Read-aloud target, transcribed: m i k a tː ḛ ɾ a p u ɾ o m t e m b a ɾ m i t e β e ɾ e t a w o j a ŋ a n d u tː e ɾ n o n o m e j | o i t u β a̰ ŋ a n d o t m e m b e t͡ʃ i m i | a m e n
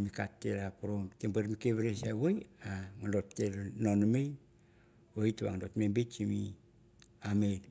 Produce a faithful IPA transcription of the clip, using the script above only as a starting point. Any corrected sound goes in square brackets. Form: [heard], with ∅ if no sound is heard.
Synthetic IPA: m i k a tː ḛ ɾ a p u ɾ o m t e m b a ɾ m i [k] e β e ɾ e [s] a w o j a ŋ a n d [o] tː e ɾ n o n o m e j | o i t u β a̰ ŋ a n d o t m e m b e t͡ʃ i m i | a m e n